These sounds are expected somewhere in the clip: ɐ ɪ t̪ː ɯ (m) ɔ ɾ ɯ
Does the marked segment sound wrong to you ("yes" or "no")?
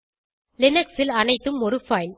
no